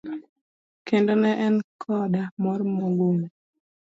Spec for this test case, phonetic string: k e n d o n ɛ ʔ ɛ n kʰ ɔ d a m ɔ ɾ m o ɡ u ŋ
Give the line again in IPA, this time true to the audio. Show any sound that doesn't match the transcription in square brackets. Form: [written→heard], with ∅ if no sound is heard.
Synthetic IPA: k e n d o n ɛ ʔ ɛ n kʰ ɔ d a m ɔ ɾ m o ɡ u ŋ